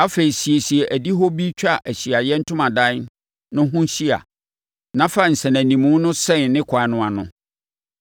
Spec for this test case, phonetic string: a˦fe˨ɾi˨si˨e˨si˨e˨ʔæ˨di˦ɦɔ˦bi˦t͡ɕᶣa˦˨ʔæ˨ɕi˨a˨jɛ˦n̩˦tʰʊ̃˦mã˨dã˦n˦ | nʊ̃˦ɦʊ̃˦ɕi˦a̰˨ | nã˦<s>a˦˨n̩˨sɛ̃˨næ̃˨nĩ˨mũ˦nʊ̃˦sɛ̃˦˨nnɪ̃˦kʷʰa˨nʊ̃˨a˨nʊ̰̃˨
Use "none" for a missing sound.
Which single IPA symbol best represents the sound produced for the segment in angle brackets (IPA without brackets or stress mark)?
f